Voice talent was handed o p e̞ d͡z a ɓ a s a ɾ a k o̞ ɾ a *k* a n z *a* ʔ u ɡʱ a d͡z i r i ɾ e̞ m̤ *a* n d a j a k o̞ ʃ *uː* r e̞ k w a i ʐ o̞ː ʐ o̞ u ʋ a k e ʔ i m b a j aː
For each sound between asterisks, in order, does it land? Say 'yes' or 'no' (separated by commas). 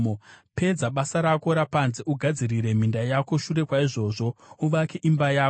no, no, no, no